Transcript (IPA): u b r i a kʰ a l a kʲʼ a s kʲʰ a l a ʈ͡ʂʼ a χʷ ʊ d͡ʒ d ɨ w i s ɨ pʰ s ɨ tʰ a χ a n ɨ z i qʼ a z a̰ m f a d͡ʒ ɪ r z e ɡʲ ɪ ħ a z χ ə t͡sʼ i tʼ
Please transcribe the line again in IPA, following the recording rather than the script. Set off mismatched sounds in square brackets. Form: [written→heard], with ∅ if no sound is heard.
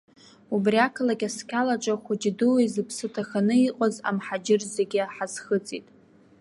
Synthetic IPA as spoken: u b r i a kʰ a l a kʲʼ a s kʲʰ a l a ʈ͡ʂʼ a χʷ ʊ d͡ʒ d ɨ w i [s→z] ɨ pʰ s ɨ tʰ a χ a n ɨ [z→∅] i qʼ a z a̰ m [f→ħ] a d͡ʒ ɪ r z e ɡʲ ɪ ħ a z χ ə t͡sʼ i tʼ